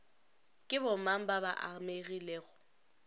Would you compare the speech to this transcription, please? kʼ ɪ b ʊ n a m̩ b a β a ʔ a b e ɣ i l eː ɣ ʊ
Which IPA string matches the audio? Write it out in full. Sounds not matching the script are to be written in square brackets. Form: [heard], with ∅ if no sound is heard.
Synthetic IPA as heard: kʼ ɪ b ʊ [m] a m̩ b a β a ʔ a [m] e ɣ i l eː ɣ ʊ